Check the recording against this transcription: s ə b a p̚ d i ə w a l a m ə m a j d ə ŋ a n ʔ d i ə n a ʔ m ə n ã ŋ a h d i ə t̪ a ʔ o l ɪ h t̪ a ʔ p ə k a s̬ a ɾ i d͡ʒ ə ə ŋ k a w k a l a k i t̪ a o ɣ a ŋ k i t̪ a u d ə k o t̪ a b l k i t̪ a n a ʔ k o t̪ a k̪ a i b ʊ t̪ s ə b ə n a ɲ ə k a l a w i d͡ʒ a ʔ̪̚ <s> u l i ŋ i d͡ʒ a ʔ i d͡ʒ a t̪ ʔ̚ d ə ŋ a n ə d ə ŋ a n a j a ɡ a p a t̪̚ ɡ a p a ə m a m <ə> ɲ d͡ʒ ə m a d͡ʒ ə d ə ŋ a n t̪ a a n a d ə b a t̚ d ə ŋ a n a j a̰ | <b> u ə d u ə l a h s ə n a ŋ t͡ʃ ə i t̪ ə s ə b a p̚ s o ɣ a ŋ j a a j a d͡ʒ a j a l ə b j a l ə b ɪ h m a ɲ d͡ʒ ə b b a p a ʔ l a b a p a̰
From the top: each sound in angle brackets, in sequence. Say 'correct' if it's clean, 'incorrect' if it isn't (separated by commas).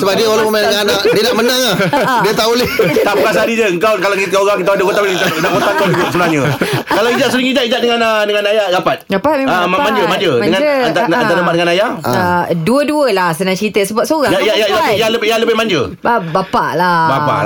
correct, incorrect, incorrect